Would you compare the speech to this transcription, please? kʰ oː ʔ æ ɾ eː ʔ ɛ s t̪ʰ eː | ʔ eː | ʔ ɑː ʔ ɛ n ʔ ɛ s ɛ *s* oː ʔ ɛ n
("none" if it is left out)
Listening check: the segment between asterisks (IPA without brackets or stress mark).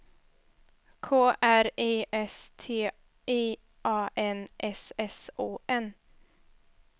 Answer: s